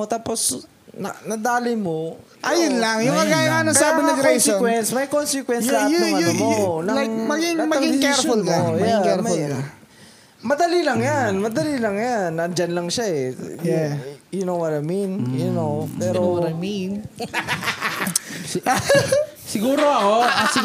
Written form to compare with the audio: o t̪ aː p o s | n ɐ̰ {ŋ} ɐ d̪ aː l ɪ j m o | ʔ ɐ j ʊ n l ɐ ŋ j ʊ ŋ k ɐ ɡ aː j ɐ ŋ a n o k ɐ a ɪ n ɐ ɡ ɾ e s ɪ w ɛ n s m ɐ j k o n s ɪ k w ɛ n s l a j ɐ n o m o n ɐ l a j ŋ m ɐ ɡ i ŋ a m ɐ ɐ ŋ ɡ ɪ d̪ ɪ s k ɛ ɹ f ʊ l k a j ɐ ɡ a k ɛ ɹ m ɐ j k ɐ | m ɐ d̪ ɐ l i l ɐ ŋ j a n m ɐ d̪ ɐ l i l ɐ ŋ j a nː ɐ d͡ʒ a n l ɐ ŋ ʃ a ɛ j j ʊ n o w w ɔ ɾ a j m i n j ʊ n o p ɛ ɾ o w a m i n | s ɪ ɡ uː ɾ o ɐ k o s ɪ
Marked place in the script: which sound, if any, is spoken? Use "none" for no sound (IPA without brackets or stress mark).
n